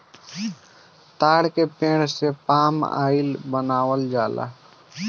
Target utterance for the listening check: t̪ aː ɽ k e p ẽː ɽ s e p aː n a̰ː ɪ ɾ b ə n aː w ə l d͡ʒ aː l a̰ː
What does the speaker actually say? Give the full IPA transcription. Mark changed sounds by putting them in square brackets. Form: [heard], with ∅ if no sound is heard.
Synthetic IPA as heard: t̪ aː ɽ k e p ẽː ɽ s e p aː [m] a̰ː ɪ [l] b ə n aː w ə l d͡ʒ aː l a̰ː